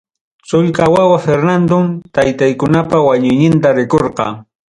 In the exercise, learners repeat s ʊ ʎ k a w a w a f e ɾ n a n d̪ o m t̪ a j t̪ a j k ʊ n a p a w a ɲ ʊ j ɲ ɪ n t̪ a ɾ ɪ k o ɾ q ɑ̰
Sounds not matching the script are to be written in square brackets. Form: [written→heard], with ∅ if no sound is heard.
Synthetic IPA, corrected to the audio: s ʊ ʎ k a w a w a f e ɾ n a n d̪ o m t̪ a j t̪ a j k ʊ n a p a w a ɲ ʊ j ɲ ɪ n t̪ a ɾ ɪ k o ɾ q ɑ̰